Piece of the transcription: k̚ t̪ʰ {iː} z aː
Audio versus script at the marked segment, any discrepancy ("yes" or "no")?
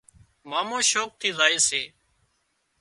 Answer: no